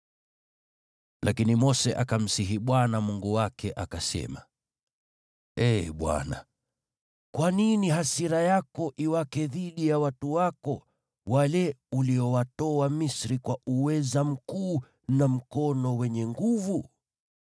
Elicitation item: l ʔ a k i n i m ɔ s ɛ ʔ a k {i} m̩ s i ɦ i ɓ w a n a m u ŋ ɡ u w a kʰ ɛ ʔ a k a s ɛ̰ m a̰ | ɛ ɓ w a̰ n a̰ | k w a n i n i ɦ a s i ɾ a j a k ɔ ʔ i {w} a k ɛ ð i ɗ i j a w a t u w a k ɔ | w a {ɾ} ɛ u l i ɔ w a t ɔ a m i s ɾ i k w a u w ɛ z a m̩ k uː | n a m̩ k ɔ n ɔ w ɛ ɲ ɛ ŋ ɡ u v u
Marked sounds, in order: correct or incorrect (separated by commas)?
incorrect, correct, incorrect